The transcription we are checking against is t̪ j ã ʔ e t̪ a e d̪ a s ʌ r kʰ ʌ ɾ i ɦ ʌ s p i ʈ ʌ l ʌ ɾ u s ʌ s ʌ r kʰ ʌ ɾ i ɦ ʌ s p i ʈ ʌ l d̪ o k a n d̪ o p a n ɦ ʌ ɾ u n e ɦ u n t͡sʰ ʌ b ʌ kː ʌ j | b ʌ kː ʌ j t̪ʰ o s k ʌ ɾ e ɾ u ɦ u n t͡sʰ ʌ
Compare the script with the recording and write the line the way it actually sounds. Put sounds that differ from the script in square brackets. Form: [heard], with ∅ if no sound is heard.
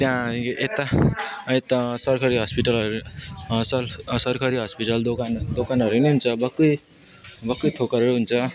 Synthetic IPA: t̪ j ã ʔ e t̪ a e [t̪] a s ʌ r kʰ ʌ ɾ i ɦ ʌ s p i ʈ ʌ l ʌ ɾ u s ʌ s ʌ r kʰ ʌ ɾ i ɦ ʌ s p i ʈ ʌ l d̪ o k a n d̪ o [k] a n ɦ ʌ ɾ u n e ɦ u n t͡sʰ ʌ b ʌ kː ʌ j | b ʌ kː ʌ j t̪ʰ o [∅] k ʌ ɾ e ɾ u ɦ u n t͡sʰ ʌ